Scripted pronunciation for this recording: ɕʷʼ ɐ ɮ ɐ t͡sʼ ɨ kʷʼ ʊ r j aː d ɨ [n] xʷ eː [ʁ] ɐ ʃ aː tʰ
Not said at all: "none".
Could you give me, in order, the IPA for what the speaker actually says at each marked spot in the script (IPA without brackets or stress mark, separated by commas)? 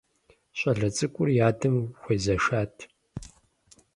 m, z